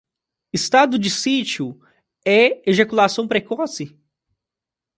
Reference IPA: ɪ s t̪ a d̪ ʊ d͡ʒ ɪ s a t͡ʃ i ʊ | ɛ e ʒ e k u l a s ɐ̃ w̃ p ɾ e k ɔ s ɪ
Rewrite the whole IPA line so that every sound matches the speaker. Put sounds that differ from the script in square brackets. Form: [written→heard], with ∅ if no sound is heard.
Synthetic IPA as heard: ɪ s t̪ a d̪ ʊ d͡ʒ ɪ s [a→i] t͡ʃ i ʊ | ɛ e ʒ e k u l a s ɐ̃ w̃ p ɾ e k ɔ s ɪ